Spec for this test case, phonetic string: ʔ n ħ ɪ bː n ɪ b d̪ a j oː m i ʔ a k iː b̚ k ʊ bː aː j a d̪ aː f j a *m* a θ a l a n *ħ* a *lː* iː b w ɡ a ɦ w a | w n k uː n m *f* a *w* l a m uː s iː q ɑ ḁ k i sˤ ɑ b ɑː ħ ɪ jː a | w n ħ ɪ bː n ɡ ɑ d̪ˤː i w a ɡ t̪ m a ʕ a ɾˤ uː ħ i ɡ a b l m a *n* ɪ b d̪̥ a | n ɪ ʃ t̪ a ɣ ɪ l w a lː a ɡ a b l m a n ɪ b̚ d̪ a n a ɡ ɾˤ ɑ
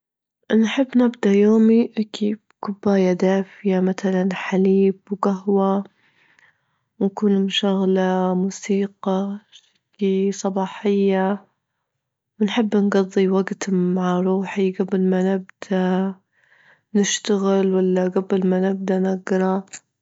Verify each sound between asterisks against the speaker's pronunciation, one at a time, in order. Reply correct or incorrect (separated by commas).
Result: correct, correct, incorrect, incorrect, incorrect, correct